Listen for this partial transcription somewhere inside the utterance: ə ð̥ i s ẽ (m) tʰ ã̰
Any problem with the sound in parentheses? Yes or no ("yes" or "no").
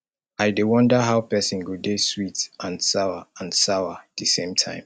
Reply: no